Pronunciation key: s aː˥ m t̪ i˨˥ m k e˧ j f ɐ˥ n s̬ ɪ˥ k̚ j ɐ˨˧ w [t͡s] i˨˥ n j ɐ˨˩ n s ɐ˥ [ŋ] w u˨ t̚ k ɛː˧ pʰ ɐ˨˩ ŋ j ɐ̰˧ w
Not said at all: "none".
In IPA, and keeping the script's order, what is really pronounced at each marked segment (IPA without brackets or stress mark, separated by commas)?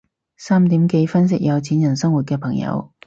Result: t͡sʰ, ŋ